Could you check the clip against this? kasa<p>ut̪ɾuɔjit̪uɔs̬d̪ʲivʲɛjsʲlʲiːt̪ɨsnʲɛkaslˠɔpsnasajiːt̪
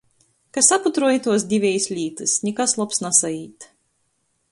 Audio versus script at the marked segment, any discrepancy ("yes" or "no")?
no